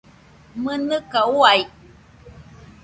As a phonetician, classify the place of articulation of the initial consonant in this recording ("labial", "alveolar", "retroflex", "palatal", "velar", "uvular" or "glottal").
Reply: labial